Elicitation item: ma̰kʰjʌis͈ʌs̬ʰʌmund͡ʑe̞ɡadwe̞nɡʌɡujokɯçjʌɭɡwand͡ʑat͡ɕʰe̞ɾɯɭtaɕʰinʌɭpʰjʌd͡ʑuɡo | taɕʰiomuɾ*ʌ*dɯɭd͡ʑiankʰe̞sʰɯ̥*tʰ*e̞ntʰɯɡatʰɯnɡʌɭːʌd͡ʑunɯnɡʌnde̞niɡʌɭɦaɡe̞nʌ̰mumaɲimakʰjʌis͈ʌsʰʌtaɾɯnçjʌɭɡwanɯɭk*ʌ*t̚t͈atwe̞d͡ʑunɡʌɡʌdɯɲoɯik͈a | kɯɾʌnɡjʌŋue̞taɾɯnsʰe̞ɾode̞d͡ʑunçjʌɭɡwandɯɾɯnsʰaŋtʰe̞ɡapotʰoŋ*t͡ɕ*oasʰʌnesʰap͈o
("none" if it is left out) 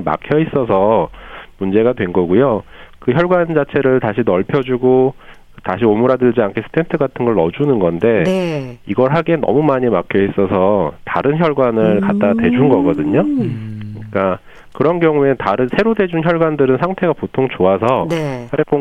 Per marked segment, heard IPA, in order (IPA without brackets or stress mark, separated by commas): a, tʰ, a, t͡ɕ